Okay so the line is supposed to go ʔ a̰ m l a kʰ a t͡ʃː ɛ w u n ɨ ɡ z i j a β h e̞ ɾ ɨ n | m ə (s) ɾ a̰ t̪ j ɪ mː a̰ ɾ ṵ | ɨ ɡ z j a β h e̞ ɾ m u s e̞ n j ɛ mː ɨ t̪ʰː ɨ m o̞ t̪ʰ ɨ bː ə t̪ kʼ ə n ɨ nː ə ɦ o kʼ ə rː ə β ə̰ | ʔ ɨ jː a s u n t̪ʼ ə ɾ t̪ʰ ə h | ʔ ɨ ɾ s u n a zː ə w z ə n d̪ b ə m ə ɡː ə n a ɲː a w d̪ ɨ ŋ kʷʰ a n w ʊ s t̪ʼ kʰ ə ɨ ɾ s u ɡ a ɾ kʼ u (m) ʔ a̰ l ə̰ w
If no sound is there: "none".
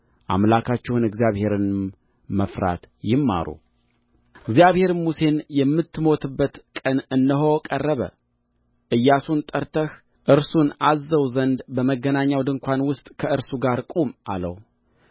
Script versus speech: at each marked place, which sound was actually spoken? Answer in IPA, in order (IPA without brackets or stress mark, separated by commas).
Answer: f, m